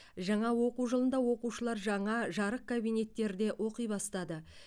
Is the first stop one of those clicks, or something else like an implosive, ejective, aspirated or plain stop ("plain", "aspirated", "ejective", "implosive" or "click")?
plain